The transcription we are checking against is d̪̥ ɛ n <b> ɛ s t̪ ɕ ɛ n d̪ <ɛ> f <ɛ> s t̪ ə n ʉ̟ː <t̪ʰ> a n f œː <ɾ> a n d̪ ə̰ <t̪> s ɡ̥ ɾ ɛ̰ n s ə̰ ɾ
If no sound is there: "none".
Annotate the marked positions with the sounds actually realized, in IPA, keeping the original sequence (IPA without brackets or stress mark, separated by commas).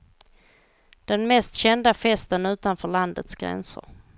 m, a, ɛ, t̪, ɭ, t̪